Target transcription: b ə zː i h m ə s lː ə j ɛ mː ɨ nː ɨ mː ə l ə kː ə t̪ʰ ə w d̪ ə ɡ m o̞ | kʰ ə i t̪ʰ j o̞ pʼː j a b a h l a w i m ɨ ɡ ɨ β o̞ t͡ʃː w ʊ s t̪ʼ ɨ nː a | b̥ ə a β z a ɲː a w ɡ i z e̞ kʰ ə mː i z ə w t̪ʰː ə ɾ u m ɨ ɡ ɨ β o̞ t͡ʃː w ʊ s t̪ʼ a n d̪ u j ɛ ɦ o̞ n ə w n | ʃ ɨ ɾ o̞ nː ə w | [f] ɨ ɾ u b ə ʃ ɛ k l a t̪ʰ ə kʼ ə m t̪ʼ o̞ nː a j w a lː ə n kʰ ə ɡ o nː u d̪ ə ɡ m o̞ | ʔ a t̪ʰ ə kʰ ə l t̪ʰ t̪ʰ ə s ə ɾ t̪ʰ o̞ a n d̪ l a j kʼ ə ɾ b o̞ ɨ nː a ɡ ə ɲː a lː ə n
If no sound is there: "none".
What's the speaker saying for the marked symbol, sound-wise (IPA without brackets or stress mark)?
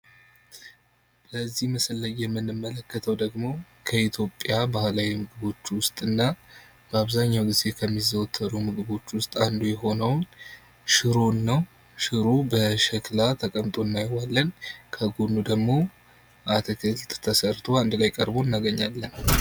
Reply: ʃ